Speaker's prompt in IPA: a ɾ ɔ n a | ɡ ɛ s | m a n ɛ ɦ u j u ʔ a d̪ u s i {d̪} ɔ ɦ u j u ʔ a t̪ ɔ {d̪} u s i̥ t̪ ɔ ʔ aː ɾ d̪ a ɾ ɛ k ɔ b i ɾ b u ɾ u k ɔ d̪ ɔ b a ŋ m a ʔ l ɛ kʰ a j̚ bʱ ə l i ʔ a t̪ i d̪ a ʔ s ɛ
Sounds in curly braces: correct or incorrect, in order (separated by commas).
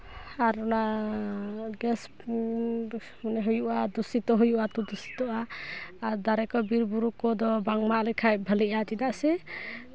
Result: incorrect, correct